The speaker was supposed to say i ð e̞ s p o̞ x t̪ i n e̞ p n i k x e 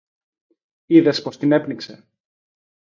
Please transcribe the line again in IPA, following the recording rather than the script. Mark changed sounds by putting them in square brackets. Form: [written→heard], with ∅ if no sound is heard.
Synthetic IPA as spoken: i ð e̞ s p o̞ [x→s] t̪ i n e̞ p n i k [x→s] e